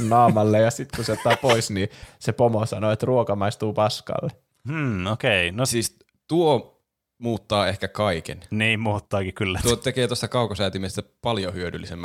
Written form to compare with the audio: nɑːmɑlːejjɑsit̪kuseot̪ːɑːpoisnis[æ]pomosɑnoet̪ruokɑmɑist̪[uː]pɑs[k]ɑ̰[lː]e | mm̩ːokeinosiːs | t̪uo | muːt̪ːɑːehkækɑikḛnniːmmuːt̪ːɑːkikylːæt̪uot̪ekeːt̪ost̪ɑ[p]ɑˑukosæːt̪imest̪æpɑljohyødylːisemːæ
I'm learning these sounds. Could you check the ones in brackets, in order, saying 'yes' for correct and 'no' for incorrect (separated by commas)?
no, yes, yes, yes, no